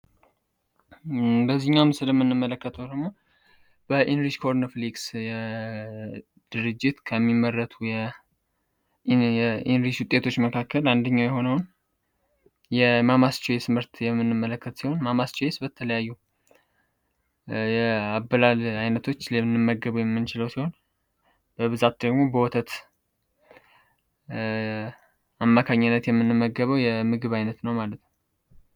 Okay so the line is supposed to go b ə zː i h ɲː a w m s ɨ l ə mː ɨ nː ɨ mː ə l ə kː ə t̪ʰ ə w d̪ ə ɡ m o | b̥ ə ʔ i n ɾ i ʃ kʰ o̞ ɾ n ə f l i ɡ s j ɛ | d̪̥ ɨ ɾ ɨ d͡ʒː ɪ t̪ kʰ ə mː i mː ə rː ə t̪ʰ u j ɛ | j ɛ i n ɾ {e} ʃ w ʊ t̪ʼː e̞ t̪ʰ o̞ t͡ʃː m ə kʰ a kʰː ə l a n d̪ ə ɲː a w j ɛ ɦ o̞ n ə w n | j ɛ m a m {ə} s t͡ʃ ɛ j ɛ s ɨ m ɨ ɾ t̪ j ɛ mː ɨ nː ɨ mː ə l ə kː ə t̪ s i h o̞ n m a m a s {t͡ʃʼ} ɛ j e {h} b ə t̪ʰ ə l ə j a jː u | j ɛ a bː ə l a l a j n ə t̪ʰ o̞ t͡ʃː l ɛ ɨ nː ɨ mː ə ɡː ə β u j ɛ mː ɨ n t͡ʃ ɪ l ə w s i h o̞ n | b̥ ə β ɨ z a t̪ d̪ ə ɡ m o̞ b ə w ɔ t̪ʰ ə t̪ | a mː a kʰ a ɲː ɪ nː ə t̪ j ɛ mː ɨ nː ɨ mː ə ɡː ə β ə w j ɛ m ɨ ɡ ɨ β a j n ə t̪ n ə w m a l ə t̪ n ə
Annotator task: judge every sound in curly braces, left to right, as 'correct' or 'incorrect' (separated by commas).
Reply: incorrect, incorrect, incorrect, incorrect